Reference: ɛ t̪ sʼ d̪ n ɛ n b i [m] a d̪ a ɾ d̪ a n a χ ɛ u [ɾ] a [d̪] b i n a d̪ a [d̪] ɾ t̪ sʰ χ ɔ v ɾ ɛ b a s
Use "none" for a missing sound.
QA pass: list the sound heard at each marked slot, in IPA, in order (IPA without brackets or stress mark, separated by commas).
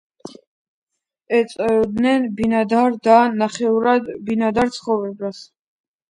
n, ɾ, d̪, none